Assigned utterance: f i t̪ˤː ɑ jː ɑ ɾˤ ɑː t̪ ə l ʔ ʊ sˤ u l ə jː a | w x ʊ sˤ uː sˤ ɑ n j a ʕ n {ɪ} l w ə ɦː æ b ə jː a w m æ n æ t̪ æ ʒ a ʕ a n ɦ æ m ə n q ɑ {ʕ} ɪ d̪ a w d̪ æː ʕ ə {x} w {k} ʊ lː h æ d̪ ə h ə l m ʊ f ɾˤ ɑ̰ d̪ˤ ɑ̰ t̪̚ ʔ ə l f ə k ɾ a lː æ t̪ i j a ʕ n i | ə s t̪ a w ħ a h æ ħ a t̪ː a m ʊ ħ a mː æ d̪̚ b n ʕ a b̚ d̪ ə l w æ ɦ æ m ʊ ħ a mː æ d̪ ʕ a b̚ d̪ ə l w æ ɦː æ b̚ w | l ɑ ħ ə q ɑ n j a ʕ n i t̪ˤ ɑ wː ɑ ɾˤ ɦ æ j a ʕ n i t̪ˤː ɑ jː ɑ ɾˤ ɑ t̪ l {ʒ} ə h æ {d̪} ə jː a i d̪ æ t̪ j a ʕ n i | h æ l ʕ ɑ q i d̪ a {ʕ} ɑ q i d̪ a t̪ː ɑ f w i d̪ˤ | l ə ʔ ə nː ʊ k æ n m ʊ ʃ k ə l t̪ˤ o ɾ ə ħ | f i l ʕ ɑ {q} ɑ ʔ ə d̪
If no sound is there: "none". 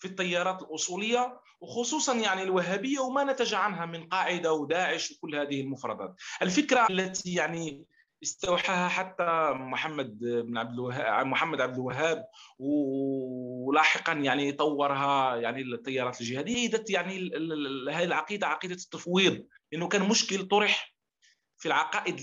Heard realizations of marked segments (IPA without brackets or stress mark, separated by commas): i, ʕ, ʃ, k, ʒ, d̪, ʕ, q